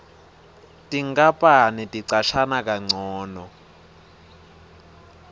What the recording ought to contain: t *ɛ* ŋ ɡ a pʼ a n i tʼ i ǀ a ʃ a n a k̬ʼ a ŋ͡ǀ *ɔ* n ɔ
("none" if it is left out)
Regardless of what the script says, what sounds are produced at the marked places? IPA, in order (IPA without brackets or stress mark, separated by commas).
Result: i, ɔː